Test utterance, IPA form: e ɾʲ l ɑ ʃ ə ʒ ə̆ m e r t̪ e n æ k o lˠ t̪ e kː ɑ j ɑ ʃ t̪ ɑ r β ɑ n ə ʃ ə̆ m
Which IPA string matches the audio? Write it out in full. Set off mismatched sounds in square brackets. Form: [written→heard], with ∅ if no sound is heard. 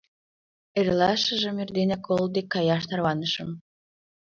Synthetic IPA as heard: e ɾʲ l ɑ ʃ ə ʒ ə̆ m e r [t̪→d̪] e n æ k o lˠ [t̪→d̪] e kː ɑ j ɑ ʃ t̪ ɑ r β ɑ n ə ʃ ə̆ m